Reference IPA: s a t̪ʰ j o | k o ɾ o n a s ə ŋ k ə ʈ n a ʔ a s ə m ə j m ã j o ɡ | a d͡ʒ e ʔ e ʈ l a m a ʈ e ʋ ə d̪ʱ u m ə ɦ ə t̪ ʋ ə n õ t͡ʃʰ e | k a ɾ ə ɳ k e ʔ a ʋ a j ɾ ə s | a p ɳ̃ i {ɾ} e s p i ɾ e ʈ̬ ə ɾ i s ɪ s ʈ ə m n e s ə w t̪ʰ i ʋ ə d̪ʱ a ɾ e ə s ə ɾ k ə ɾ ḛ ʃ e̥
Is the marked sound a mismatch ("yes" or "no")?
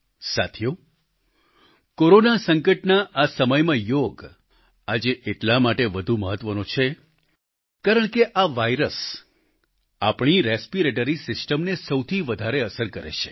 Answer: no